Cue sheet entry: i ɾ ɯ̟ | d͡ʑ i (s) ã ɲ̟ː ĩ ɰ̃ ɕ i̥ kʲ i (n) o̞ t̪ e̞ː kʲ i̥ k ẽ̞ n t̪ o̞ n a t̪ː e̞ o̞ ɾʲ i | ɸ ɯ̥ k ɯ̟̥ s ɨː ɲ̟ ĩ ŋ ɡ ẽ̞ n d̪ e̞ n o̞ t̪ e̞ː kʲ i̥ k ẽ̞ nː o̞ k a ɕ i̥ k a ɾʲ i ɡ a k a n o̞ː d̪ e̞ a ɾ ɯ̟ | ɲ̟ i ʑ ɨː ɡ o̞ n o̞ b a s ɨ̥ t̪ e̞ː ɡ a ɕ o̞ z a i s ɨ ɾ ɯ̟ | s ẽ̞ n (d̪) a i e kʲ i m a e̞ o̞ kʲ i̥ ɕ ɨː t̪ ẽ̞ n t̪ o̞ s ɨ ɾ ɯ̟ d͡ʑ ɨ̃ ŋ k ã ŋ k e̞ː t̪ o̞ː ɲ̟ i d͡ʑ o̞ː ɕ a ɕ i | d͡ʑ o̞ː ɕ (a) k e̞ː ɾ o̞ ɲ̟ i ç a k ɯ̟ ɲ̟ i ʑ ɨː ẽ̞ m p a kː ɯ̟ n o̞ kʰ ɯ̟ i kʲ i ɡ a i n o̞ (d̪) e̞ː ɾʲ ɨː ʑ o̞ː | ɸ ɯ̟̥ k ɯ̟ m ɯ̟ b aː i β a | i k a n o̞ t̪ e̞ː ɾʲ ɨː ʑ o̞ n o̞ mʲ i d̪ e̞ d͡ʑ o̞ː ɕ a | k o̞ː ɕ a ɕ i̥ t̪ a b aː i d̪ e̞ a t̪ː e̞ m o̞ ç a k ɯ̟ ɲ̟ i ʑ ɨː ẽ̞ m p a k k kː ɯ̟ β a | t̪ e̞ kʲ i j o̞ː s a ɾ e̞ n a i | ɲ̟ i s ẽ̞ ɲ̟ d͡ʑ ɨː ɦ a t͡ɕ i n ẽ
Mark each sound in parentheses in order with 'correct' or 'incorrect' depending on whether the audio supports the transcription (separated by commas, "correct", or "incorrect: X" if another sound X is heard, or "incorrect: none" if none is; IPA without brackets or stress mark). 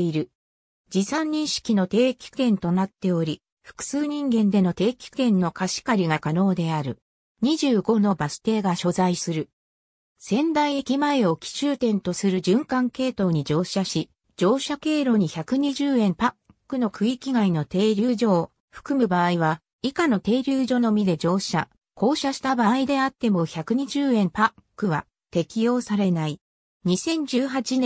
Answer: correct, correct, correct, correct, incorrect: t̪